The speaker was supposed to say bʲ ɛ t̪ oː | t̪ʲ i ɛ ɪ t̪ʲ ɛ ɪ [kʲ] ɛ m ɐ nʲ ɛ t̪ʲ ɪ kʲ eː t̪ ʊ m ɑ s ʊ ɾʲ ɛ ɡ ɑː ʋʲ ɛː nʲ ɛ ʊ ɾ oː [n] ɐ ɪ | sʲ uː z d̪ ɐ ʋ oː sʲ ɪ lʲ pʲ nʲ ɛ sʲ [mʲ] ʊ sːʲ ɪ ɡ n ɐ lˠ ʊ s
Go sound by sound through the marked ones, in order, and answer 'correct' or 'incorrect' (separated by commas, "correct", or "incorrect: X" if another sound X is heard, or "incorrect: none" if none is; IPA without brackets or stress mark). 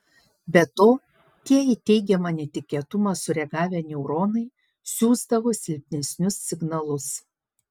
incorrect: ɡʲ, correct, incorrect: nʲ